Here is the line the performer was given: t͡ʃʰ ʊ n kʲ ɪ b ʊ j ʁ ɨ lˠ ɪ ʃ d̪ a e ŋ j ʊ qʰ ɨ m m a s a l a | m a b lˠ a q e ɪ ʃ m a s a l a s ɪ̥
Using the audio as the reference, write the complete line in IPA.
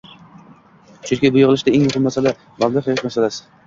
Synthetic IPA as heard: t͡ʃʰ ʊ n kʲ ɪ b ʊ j ʁ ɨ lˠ ɪ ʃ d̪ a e ŋ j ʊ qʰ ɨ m m a s a l a | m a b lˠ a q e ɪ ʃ m a s a l a s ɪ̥